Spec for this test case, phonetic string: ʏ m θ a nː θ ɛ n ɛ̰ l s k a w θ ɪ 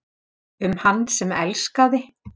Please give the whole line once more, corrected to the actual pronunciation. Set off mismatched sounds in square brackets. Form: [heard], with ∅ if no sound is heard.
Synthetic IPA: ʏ m [h] a nː [s] ɛ [m] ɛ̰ l s k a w [ð] ɪ